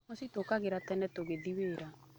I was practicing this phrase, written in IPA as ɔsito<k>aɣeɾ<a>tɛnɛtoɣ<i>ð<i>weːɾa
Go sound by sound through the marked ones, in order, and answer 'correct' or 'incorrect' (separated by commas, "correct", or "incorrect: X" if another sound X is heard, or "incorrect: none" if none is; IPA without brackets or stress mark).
correct, correct, incorrect: e, correct